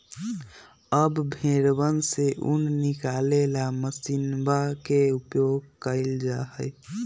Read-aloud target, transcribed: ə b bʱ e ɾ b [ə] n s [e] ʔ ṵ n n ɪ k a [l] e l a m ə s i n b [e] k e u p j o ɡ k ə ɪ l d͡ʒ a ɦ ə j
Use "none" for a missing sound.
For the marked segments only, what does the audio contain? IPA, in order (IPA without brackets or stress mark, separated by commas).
ə, e, l, a